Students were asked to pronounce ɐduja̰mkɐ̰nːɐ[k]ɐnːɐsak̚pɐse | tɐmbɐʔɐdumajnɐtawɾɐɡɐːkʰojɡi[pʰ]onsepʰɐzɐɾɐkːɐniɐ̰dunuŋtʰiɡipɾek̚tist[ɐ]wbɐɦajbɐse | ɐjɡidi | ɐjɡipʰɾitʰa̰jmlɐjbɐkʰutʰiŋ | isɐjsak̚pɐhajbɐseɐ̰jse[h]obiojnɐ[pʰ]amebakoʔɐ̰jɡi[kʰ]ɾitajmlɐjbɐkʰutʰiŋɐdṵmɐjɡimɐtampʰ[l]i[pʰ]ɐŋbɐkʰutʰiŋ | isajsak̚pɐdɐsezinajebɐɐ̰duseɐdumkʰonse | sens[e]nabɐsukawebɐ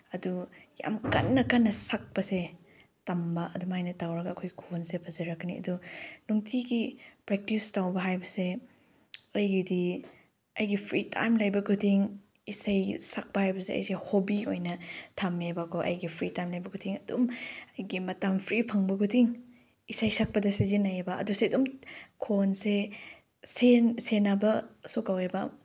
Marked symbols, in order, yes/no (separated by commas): yes, no, no, yes, no, no, no, yes, yes